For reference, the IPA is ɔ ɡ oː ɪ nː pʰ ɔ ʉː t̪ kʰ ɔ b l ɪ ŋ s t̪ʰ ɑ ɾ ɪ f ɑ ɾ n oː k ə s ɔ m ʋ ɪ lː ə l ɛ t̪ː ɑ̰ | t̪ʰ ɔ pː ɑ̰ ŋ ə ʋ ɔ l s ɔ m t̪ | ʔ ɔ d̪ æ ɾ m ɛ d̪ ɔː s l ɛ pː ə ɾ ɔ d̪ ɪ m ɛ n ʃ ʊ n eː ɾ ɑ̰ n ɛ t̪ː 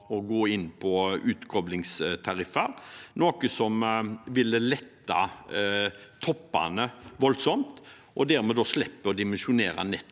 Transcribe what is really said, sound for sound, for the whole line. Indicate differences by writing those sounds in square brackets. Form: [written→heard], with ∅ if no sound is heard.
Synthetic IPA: ɔ ɡ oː ɪ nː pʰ ɔ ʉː t̪ kʰ ɔ b l ɪ ŋ s t̪ʰ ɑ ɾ ɪ f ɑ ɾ n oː k ə s ɔ m ʋ ɪ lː ə l ɛ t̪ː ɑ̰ | t̪ʰ ɔ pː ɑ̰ [ŋ→n] ə ʋ ɔ l s ɔ m t̪ | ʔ ɔ d̪ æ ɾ m ɛ d̪ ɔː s l ɛ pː ə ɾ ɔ d̪ ɪ m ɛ n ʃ ʊ n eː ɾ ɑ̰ n ɛ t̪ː